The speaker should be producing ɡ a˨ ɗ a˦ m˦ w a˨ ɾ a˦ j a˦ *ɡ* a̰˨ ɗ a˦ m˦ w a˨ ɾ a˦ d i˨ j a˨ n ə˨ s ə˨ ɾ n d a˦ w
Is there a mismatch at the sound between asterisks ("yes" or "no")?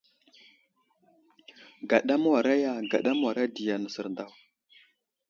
no